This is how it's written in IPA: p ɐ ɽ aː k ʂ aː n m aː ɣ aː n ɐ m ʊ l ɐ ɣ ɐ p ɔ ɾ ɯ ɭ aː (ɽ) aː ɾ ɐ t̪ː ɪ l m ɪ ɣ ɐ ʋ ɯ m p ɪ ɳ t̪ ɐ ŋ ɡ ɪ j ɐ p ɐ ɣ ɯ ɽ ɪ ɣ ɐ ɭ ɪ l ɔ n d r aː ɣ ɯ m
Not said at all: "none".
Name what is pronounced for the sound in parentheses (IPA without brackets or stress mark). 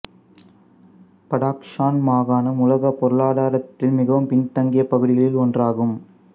ɽ